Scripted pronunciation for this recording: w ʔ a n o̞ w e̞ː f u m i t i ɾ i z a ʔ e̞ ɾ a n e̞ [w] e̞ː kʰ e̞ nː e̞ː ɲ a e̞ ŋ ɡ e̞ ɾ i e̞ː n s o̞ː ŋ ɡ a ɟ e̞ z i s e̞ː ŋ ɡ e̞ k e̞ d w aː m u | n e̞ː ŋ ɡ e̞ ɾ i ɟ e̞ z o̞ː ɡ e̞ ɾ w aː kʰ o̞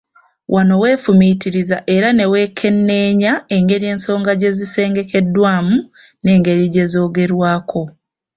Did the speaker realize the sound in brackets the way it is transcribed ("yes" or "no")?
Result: yes